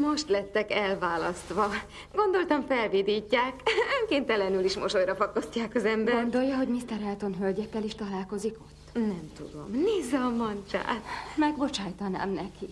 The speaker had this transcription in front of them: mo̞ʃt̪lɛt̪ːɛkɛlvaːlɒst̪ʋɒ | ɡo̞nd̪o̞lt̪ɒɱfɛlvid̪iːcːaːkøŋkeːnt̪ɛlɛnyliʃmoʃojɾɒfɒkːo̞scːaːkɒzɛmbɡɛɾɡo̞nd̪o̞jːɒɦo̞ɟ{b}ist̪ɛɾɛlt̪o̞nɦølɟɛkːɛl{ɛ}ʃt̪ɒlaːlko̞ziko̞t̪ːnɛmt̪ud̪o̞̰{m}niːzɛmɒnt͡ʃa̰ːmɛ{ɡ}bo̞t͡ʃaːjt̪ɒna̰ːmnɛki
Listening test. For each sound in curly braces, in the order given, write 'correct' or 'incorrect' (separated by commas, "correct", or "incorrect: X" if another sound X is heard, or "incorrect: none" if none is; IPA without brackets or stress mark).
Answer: incorrect: m, incorrect: i, correct, correct